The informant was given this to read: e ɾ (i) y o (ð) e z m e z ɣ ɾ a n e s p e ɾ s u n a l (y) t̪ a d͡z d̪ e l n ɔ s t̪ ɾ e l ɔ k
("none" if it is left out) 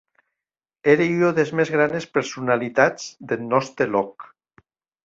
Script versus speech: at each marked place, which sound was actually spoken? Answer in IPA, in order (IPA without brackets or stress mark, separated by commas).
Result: e, ð, i